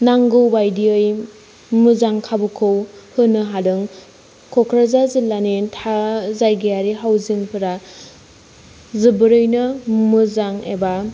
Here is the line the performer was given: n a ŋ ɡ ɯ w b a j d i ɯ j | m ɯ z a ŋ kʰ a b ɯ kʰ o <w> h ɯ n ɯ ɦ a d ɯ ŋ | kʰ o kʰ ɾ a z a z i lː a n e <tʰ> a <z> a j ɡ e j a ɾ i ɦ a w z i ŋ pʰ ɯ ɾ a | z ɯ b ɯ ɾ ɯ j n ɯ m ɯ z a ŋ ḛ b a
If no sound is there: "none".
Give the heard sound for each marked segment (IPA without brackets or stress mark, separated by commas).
w, tʰ, z